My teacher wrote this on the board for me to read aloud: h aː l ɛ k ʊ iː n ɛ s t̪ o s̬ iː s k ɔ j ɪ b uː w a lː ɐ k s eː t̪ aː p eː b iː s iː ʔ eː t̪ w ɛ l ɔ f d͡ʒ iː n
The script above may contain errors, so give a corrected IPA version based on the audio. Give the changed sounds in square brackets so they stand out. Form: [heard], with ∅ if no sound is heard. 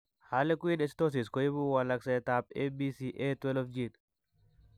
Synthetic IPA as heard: h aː l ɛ k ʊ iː n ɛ s t̪ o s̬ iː s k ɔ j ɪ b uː w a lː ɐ k s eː t̪ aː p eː b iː s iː ʔ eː t̪ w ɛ l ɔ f d͡ʒ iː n